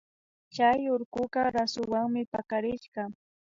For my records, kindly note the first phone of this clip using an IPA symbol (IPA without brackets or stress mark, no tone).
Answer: t͡ʃ